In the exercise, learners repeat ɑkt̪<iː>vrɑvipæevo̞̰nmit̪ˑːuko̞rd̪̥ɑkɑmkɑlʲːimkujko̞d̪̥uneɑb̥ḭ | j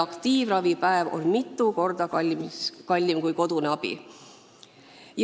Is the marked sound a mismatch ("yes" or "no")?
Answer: no